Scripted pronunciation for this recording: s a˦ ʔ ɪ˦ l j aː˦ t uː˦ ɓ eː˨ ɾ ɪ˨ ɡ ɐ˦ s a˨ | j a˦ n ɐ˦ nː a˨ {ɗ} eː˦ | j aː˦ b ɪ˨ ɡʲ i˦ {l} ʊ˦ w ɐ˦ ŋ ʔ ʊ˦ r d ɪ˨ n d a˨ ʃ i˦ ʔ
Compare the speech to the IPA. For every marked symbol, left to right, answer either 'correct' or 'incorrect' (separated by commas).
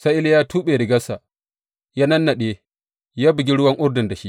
correct, incorrect